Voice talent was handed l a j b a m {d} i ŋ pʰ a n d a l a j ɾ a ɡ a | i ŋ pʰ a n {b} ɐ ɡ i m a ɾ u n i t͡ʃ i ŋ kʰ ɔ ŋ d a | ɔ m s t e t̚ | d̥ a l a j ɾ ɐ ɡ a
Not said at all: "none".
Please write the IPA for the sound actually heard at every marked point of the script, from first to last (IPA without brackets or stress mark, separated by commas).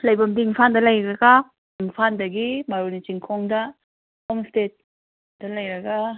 d, d